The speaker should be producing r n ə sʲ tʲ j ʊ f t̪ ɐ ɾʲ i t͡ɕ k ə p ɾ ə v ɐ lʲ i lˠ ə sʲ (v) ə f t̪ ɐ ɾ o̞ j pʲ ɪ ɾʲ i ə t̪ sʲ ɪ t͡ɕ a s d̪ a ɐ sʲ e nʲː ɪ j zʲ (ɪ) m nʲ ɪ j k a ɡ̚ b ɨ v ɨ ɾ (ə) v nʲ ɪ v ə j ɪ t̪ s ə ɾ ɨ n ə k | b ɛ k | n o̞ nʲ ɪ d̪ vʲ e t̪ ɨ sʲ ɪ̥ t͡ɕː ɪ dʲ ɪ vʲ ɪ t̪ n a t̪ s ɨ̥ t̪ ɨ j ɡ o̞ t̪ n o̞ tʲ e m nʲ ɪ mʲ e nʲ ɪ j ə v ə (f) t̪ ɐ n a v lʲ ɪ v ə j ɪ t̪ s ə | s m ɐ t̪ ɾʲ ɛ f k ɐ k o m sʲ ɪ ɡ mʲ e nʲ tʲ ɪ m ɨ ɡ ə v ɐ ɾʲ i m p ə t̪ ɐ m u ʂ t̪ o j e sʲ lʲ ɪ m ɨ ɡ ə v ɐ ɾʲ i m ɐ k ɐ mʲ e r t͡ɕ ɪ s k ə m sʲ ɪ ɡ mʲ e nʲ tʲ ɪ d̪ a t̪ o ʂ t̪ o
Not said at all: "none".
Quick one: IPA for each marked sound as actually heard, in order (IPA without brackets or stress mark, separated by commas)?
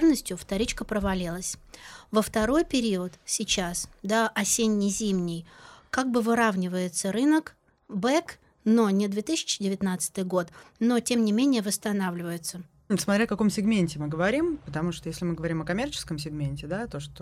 v, i, a, s